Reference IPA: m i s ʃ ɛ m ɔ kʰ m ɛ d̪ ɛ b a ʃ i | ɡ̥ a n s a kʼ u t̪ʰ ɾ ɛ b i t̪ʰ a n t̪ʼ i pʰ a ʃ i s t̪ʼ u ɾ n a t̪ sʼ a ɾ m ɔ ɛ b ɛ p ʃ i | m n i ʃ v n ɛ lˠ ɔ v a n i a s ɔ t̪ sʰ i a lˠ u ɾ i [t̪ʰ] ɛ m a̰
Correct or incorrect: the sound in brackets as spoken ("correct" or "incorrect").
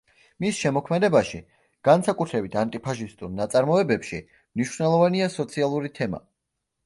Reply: correct